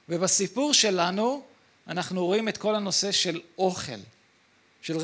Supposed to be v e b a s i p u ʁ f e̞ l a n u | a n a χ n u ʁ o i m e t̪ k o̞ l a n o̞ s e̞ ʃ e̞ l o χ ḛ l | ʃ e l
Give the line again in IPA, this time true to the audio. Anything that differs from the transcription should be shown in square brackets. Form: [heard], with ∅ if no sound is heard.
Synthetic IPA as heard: v e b a s i p u ʁ [ʃ] e̞ l a n u | a n a χ n u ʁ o i m e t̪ k o̞ l a n o̞ s e̞ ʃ e̞ l o χ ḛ l | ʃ e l